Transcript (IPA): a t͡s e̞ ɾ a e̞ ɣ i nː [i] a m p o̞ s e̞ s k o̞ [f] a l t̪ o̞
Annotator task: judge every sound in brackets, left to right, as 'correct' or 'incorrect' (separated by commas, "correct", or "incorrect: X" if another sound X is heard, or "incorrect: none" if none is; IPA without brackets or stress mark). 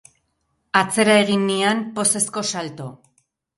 correct, incorrect: s